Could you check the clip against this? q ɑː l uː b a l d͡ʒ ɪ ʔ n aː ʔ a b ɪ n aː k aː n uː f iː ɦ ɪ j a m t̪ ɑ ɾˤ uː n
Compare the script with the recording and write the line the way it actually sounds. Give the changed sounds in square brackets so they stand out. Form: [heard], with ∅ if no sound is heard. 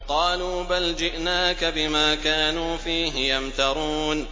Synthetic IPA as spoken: q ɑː l uː b a l d͡ʒ ɪ ʔ n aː [k] a b ɪ [m] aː k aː n uː f iː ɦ ɪ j a m t̪ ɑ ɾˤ uː n